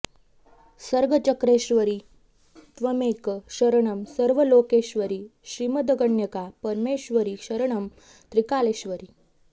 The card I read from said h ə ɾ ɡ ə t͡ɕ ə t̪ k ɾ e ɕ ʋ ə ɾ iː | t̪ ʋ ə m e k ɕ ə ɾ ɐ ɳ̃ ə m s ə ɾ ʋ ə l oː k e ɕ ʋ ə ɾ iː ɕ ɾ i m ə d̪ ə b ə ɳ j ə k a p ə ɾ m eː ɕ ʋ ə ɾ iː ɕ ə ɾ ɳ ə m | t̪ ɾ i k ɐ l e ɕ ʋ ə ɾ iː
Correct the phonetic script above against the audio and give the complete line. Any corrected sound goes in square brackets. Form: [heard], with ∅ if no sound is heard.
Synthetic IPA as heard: [s] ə ɾ ɡ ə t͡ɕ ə [∅] k ɾ e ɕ ʋ ə ɾ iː | t̪ ʋ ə m e k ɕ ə ɾ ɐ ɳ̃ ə m s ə ɾ ʋ ə l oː k e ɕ ʋ ə ɾ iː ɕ ɾ i m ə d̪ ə [ɡ] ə ɳ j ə k a p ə ɾ m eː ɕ ʋ ə ɾ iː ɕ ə ɾ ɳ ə m | t̪ ɾ i k [a] l e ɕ ʋ ə ɾ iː